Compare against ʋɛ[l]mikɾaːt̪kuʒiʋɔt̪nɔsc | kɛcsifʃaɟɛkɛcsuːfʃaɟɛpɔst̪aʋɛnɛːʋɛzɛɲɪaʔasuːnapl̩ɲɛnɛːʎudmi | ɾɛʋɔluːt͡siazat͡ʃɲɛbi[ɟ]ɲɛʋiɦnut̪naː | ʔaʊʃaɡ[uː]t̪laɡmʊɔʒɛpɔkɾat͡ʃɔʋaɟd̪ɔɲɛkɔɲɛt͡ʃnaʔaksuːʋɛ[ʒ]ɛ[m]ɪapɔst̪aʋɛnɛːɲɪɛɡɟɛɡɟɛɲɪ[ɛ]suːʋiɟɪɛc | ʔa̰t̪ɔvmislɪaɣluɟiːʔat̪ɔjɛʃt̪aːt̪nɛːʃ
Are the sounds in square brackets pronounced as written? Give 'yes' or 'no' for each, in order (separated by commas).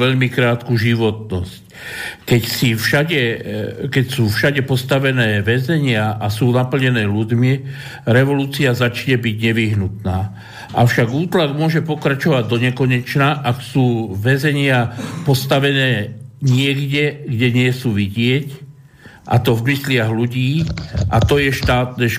no, yes, yes, no, no, yes